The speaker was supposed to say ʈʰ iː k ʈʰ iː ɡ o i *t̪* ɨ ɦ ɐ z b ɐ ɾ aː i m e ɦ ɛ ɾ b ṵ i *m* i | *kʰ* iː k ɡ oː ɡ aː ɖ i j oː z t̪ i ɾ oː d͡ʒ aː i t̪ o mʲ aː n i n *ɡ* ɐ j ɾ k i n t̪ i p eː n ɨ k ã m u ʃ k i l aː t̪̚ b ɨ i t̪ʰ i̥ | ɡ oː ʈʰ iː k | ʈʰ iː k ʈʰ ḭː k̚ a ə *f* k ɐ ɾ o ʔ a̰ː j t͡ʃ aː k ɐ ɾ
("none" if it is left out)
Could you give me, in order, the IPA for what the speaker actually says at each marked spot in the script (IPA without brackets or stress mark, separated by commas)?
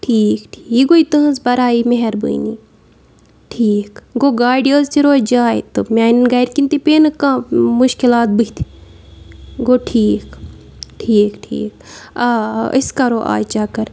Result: t̪, n, ʈʰ, ɡ, s